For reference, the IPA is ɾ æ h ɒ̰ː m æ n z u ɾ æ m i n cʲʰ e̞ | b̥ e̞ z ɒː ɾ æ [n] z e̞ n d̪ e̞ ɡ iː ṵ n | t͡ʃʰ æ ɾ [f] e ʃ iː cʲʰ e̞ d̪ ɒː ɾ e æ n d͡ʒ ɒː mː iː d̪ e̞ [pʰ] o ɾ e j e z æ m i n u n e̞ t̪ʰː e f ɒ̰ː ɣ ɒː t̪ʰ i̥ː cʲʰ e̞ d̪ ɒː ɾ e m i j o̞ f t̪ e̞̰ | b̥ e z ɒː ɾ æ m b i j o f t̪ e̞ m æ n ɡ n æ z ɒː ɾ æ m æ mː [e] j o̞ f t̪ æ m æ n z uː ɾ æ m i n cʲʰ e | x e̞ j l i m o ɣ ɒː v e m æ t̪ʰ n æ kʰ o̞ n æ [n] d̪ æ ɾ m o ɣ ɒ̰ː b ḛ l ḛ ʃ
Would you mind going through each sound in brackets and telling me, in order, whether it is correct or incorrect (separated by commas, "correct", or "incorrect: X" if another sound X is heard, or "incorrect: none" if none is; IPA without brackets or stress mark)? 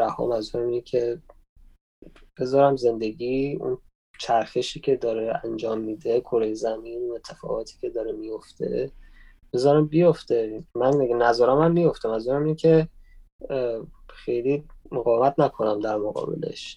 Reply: incorrect: m, incorrect: x, incorrect: kʰ, incorrect: i, incorrect: m